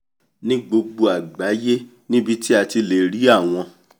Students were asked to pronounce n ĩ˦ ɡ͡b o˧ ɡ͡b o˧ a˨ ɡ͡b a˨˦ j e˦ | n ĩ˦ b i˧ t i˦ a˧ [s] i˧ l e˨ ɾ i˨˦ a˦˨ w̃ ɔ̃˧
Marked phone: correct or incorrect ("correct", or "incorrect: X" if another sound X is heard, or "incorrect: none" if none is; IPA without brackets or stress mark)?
incorrect: t